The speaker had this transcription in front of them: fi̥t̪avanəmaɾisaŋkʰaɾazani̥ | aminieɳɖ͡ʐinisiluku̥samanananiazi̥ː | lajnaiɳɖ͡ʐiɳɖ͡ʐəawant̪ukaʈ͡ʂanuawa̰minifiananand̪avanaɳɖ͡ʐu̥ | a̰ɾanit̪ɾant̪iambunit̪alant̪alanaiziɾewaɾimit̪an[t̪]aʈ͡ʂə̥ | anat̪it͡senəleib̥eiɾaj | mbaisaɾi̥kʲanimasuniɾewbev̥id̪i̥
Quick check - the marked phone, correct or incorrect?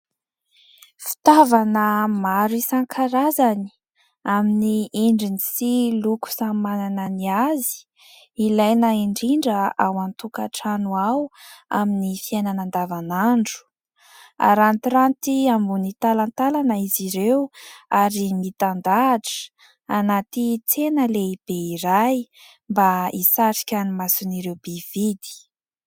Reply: incorrect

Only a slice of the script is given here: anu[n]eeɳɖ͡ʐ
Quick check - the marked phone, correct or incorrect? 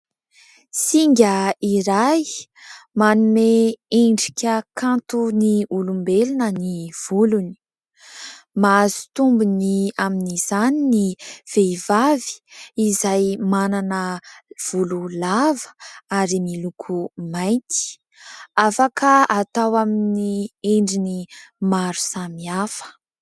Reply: incorrect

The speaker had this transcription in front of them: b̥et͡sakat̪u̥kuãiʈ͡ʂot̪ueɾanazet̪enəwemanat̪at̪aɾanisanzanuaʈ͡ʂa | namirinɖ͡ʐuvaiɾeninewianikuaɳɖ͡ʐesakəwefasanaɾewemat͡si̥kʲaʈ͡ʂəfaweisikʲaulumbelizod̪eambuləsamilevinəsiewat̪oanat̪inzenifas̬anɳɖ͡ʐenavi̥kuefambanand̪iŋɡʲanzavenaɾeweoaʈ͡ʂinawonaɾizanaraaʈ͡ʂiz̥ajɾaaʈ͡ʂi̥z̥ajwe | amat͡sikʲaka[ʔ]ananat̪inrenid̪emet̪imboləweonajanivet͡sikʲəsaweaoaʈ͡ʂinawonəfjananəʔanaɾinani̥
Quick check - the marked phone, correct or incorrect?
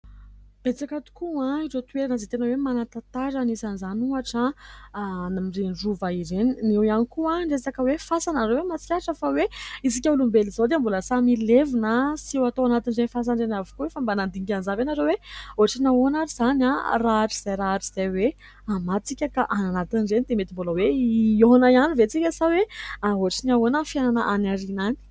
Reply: correct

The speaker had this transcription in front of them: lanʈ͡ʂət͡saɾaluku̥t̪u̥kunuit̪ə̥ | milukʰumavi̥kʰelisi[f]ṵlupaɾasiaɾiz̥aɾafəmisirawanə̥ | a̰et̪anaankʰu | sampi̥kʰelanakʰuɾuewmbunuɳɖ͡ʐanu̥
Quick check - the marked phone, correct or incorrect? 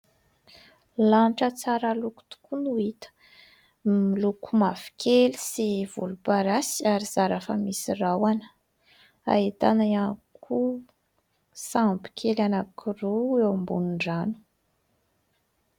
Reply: incorrect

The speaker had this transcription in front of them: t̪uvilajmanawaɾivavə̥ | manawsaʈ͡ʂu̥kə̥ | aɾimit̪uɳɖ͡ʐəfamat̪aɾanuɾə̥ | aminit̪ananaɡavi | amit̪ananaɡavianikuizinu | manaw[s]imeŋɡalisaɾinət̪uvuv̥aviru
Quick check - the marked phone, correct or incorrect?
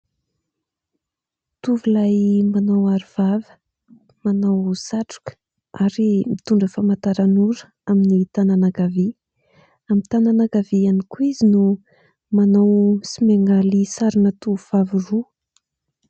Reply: correct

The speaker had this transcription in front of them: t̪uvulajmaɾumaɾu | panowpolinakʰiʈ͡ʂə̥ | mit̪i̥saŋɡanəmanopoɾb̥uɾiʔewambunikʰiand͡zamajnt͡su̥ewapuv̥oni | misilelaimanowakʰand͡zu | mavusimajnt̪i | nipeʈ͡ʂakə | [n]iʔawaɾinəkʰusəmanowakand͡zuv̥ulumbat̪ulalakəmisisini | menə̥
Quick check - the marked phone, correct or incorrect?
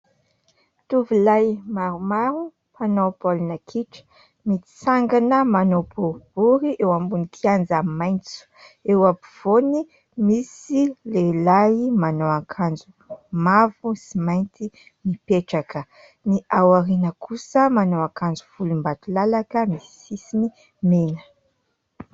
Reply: correct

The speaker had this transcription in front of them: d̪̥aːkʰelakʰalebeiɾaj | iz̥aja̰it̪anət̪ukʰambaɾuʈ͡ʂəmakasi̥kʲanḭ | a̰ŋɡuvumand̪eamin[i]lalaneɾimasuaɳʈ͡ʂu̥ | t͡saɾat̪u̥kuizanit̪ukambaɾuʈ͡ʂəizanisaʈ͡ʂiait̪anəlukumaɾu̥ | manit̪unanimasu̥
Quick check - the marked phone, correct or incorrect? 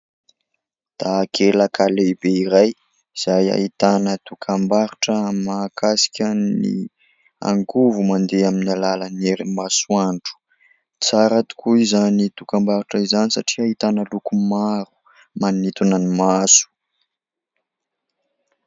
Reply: incorrect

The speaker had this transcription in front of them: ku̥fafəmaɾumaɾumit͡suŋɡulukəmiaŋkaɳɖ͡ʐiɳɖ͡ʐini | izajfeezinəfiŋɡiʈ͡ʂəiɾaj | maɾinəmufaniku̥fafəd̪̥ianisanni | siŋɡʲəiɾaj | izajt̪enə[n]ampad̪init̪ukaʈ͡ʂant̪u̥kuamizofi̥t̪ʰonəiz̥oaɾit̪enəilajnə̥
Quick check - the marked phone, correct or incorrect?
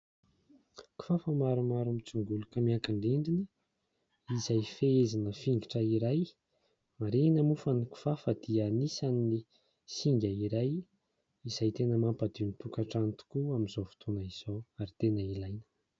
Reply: incorrect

